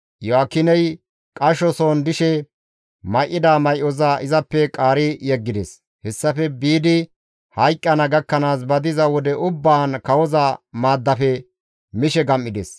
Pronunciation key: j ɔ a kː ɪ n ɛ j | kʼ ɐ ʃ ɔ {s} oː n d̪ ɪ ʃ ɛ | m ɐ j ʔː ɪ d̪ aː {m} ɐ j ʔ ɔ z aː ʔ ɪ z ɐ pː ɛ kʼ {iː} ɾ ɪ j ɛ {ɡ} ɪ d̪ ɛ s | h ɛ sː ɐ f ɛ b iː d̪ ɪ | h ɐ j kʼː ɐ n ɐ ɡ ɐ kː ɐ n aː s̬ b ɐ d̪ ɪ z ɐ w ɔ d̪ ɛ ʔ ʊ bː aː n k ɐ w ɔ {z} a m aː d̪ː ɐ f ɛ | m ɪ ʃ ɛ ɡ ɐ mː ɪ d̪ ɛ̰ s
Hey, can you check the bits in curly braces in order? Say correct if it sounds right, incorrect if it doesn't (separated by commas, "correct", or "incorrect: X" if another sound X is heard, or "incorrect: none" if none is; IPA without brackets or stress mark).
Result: correct, correct, incorrect: aː, incorrect: ɡː, correct